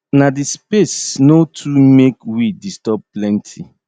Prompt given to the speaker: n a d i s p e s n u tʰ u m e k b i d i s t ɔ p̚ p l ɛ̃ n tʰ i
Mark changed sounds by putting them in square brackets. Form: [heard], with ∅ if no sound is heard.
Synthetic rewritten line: n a d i s p e s n [o] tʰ u m e k [w] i d i s t ɔ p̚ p l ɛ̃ n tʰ i